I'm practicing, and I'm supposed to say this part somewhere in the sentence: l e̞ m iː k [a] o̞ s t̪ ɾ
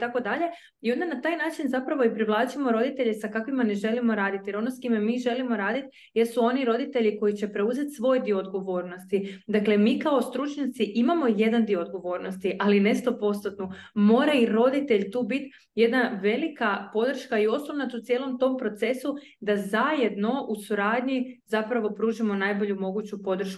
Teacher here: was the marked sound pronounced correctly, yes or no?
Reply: yes